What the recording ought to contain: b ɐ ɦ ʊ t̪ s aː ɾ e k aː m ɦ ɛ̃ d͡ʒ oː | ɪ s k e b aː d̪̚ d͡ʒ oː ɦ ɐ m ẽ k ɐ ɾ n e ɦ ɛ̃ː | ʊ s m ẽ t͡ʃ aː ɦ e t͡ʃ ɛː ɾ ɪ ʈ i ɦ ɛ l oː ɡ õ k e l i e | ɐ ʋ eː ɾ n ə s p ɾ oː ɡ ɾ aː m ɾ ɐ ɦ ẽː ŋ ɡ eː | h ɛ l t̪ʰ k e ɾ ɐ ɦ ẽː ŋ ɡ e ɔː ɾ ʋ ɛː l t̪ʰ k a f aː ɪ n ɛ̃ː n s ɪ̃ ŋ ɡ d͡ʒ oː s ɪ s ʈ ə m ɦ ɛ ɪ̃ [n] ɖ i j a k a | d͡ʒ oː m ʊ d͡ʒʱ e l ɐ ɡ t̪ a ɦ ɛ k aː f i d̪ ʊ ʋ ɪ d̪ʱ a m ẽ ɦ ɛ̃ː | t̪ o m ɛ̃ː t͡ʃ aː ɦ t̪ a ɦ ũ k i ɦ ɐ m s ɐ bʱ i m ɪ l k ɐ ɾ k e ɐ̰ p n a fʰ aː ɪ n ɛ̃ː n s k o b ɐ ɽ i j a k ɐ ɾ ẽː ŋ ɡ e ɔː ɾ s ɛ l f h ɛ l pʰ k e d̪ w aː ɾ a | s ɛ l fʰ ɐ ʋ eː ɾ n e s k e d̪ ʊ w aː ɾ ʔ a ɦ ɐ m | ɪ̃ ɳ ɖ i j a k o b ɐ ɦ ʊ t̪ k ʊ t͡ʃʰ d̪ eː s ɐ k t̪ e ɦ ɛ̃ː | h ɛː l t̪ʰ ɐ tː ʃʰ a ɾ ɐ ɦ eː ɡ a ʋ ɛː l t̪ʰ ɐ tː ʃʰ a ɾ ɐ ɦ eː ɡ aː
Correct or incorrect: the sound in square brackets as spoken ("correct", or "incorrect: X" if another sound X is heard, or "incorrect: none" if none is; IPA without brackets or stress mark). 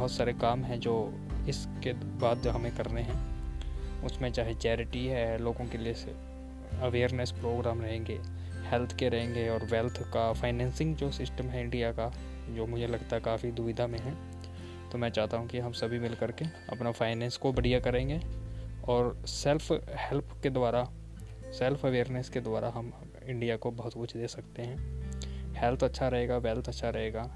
incorrect: ɳ